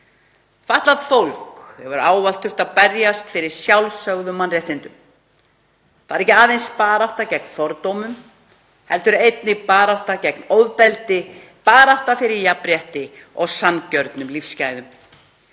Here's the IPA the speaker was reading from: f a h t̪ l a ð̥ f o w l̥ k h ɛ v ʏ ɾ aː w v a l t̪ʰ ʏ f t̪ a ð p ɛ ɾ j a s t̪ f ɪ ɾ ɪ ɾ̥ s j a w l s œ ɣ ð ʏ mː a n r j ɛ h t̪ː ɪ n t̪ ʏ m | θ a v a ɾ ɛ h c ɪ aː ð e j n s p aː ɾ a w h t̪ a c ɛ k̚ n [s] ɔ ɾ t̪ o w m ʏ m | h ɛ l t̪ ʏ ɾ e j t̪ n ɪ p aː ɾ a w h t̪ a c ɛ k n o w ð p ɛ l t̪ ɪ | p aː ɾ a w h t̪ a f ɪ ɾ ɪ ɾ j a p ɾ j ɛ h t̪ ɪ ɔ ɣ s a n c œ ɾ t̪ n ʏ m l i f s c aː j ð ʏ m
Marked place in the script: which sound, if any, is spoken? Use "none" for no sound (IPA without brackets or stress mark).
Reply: f